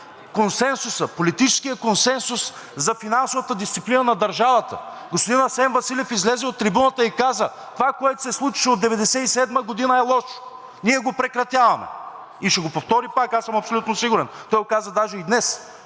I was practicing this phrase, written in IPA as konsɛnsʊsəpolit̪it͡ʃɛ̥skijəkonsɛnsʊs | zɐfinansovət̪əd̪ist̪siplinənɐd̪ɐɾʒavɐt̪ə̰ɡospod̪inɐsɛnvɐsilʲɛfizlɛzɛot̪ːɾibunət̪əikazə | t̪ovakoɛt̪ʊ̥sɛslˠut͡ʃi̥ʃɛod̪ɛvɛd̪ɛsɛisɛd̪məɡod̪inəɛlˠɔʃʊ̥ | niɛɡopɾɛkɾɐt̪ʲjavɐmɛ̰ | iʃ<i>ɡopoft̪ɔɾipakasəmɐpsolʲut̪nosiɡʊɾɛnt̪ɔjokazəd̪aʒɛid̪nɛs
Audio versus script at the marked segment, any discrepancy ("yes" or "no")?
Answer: yes